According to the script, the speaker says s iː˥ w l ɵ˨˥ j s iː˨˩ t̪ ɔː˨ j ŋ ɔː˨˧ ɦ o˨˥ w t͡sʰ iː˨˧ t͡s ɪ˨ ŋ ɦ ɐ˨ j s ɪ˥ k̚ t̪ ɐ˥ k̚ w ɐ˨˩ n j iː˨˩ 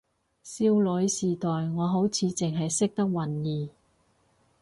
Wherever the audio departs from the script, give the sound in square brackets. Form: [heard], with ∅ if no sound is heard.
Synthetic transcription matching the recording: s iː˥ w l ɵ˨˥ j s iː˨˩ t̪ ɔː˨ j ŋ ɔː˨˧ ɦ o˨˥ w t͡sʰ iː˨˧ t͡s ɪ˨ ŋ ɦ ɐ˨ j s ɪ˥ k̚ t̪ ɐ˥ k̚ w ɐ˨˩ n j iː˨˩